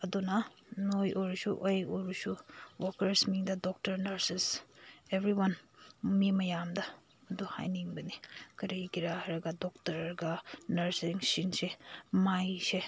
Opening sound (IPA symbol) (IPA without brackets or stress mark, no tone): ɐ